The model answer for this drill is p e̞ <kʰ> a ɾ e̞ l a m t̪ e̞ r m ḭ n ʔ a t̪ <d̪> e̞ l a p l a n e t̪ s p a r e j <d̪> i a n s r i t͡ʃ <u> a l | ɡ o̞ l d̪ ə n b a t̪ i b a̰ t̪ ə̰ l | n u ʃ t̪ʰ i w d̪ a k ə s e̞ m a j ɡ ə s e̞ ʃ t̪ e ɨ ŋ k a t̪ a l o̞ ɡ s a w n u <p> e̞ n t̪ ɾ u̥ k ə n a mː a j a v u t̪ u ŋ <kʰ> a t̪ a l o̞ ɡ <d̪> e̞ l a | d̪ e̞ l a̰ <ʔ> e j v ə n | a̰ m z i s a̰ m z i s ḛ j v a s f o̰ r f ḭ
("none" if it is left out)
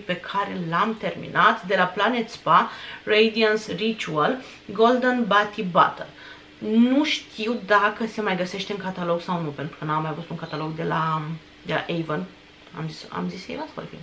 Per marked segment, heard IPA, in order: kʰ, d̪, d̪, u, p, k, d̪, ʔ

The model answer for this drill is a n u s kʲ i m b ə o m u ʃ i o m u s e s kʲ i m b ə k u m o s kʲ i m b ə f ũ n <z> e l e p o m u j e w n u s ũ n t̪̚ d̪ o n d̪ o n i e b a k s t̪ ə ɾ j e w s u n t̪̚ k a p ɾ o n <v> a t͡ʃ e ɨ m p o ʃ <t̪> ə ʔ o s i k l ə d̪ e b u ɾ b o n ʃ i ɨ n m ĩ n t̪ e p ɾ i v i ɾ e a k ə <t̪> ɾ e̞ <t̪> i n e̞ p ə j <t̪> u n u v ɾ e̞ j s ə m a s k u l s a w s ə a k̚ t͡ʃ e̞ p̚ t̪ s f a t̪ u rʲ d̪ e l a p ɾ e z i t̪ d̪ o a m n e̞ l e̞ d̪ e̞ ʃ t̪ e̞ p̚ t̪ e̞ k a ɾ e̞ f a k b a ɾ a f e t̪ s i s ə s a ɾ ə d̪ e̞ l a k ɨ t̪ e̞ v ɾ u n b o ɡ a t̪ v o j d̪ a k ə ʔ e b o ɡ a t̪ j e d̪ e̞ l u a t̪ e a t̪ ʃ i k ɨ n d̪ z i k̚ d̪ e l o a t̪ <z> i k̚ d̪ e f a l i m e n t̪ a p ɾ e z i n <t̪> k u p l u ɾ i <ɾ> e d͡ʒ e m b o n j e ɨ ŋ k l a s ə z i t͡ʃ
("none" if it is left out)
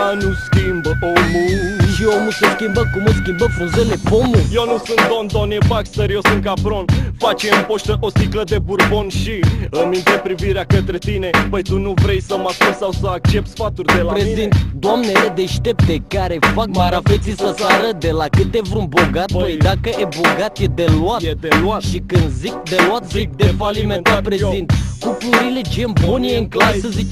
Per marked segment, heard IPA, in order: z, f, t̪, t̪, t̪, t̪, z, t̪, l

